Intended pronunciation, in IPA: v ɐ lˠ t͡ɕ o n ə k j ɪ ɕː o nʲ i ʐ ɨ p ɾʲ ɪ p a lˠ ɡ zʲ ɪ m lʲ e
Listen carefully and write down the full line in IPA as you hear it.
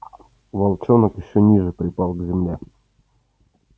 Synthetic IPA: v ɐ lˠ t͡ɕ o n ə k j ɪ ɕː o nʲ i ʐ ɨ p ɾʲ ɪ p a lˠ ɡ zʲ ɪ m lʲ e